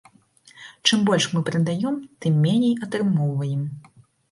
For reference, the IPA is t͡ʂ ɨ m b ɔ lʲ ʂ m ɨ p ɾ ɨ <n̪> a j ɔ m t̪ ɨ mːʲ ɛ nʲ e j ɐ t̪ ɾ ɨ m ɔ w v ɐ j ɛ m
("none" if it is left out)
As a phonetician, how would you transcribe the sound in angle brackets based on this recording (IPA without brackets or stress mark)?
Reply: d̪